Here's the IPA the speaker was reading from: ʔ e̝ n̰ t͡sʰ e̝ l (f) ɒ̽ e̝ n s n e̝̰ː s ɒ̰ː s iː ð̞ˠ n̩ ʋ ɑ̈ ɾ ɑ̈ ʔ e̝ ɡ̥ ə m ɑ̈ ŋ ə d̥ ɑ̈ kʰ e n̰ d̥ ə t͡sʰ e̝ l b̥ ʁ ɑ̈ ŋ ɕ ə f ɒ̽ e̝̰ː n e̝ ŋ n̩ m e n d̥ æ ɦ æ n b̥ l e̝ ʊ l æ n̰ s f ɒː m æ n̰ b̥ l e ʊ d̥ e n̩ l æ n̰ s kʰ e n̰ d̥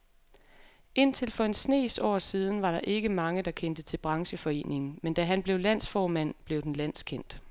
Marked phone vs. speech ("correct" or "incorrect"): correct